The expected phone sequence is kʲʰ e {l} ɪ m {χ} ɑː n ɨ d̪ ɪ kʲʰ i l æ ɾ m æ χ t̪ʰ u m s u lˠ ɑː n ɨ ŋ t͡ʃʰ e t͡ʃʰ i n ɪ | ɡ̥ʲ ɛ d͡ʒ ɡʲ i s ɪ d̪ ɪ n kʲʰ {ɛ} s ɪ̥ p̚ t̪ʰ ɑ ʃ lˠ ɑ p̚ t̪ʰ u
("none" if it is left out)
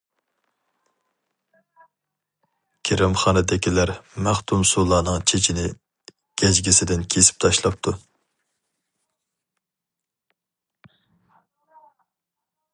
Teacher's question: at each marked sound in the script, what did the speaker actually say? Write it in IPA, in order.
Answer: ɾ, χ, e

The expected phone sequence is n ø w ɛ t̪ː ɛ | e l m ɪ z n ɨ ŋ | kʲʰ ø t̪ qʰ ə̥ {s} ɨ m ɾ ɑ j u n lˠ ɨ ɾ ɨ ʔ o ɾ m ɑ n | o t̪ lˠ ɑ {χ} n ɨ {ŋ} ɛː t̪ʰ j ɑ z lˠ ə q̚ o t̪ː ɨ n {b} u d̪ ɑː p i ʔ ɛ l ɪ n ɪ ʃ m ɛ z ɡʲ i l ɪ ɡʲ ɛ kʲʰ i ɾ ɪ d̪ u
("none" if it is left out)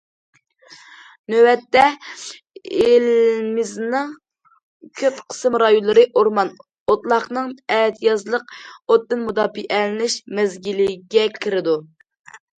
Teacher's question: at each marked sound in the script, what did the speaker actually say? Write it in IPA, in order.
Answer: s, χ, ŋ, m

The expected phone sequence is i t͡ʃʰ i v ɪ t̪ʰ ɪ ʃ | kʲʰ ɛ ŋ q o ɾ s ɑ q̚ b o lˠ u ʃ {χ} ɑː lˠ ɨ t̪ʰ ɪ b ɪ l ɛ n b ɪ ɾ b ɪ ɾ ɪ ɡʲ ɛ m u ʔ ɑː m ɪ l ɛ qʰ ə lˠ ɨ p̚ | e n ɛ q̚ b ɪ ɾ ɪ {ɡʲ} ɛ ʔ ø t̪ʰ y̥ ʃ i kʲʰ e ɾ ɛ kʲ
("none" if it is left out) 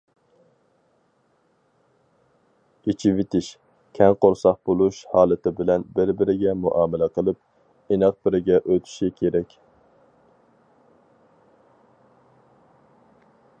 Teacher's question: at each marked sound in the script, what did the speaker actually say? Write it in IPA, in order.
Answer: h, ɡʲ

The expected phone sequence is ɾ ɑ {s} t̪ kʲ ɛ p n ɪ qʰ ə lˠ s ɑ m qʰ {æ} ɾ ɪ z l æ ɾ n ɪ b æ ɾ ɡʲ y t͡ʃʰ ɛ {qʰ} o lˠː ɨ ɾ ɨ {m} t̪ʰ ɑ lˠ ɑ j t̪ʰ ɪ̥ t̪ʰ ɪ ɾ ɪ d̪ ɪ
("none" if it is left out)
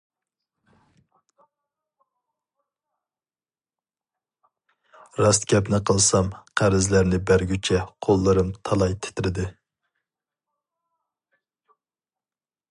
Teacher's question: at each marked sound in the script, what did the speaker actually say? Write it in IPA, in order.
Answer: s, æ, qʰ, m

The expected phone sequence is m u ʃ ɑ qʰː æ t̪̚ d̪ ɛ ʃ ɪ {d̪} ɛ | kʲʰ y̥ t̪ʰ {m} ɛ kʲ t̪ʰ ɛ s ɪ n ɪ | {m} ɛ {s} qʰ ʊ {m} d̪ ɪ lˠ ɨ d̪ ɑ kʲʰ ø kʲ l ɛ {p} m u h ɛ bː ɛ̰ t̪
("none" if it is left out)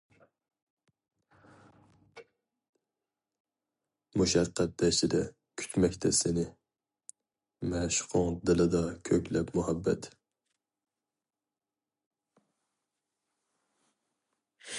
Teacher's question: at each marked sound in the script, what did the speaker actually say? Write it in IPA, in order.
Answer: d̪, m, m, ʃ, ŋ, p

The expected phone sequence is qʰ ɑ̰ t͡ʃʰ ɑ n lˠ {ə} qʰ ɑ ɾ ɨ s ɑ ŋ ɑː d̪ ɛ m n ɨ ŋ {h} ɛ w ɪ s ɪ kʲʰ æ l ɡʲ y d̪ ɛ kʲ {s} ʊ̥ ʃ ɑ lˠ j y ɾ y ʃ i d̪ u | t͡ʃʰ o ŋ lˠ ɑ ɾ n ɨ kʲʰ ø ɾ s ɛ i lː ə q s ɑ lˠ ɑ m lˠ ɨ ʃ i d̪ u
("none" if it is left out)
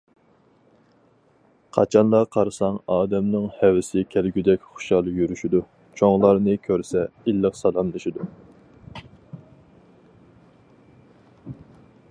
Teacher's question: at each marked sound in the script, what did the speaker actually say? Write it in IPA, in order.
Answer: ɑ, h, χ

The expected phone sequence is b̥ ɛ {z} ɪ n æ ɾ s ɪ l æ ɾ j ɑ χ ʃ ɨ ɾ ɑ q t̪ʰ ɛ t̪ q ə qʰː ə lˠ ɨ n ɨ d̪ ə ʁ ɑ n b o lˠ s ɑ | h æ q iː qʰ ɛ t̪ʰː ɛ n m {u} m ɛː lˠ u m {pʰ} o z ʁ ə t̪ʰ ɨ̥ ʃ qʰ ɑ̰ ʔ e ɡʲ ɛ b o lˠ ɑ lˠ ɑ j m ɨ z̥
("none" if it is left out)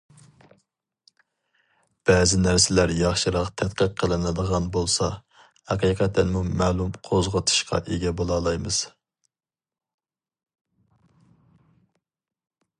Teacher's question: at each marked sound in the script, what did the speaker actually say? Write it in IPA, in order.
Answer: z, u, qʰ

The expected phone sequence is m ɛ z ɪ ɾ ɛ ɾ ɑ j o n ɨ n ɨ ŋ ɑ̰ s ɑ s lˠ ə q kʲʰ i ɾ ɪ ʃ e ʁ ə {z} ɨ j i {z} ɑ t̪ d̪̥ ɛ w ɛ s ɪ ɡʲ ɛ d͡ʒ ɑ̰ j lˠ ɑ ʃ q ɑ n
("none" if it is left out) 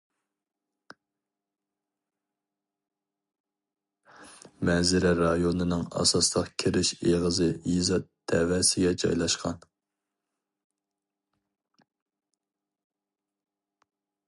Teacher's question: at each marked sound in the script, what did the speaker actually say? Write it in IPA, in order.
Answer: z, z

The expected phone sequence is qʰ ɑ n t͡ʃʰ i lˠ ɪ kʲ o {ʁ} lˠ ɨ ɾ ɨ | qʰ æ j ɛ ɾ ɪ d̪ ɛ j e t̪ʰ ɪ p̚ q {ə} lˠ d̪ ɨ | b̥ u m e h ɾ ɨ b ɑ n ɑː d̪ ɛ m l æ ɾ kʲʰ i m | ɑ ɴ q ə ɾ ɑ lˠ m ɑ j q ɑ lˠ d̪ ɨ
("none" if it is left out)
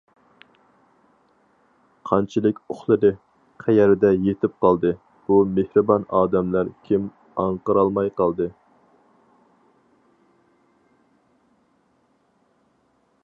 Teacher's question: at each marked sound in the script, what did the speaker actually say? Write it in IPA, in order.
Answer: χ, ɑ

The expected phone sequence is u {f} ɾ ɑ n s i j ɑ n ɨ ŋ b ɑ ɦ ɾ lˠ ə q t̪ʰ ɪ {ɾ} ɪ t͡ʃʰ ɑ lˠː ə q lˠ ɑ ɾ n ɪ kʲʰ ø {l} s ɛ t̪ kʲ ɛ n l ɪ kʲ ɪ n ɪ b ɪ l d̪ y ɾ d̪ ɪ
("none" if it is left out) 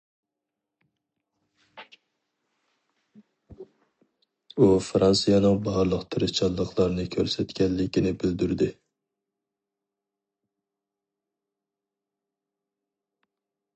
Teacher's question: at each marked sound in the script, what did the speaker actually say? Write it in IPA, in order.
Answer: f, ɾ, ɾ

